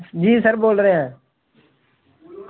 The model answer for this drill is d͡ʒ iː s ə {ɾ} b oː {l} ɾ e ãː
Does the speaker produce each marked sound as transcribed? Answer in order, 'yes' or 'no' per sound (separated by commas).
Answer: yes, yes